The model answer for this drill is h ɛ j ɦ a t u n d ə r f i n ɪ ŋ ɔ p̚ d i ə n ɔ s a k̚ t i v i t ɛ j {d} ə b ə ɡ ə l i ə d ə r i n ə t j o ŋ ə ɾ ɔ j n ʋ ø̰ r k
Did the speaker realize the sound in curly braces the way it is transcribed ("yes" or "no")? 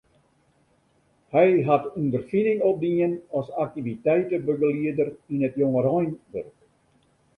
no